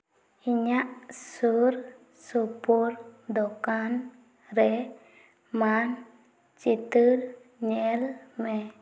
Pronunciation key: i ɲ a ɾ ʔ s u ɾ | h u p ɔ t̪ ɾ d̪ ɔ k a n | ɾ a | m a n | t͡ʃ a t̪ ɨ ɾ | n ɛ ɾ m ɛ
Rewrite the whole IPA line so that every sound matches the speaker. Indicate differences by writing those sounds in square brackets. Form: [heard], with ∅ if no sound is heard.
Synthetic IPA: i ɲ a [∅] ʔ s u ɾ | [s] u p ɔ [∅] ɾ d̪ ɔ k a n | ɾ [ɛ] | m a n | t͡ʃ [i] t̪ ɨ ɾ | [ɲ] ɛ [l] m ɛ